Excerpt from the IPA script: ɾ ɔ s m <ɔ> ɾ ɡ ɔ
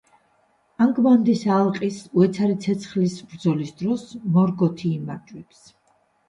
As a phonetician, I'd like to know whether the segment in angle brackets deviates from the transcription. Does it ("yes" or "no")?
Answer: no